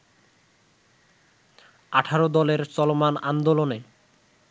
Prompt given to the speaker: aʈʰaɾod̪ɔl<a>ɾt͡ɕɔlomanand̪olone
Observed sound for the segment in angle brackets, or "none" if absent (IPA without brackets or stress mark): e